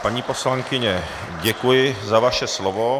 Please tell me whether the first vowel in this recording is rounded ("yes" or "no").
no